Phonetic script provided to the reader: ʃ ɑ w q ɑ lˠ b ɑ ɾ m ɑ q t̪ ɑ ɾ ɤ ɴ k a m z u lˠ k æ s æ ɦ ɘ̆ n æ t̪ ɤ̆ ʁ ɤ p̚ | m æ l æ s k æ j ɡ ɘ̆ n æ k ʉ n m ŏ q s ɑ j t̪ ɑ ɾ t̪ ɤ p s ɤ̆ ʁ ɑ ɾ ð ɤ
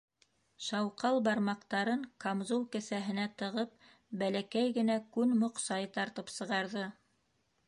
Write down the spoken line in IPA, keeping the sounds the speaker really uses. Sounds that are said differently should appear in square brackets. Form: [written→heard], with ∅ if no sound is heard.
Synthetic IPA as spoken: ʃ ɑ w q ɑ lˠ b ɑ ɾ m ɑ q t̪ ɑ ɾ ɤ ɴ k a m z u lˠ k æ s æ ɦ ɘ̆ n æ t̪ ɤ̆ ʁ ɤ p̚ | [m→b] æ l æ [s→∅] k æ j ɡ ɘ̆ n æ k ʉ n m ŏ q s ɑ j t̪ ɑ ɾ t̪ ɤ p s ɤ̆ ʁ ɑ ɾ ð ɤ